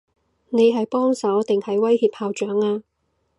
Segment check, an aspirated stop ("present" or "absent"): absent